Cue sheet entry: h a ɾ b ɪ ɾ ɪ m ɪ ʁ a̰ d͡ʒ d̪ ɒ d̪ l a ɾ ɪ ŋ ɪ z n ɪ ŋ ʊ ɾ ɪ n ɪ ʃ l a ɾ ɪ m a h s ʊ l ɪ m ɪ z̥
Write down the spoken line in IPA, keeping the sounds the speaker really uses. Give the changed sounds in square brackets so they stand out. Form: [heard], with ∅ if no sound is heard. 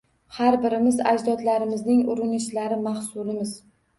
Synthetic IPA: h a ɾ b ɪ ɾ ɪ m ɪ [z] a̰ d͡ʒ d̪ ɒ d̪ l a ɾ ɪ [m] ɪ z n ɪ ŋ ʊ ɾ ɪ n ɪ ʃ l a ɾ ɪ m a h s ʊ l ɪ m ɪ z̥